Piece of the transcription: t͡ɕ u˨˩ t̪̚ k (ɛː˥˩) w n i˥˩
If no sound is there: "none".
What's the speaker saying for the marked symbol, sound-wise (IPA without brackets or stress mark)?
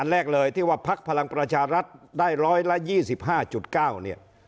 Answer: aː˥˩